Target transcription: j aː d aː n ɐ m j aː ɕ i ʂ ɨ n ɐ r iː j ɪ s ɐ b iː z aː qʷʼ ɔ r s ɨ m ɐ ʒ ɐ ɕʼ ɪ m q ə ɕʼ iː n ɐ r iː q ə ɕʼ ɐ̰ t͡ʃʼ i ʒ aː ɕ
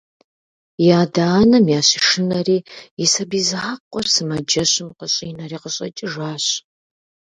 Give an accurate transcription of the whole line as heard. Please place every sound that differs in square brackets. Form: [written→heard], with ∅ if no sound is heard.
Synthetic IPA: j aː d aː n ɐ m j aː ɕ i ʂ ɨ n ɐ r iː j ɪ s ɐ b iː z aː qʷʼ ɔ r s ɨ m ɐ [ʒ→d͡ʒ] ɐ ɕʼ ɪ m q ə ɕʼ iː n ɐ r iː q ə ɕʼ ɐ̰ t͡ʃʼ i ʒ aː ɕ